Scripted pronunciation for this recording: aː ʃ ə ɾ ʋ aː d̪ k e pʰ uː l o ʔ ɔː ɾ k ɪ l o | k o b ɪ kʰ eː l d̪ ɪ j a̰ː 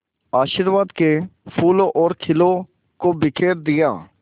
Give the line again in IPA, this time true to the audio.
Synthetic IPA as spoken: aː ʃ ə ɾ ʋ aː d̪ k e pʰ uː l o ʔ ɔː ɾ kʰ ɪ l o | k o b ɪ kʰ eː ɾ d̪ ɪ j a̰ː